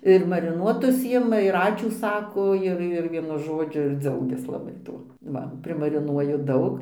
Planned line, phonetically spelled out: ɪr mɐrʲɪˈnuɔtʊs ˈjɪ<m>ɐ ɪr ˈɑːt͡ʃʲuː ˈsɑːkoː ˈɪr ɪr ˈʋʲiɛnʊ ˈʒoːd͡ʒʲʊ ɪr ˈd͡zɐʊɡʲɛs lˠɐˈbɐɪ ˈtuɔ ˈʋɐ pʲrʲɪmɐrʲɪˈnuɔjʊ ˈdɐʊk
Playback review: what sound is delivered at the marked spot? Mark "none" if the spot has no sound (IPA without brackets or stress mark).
m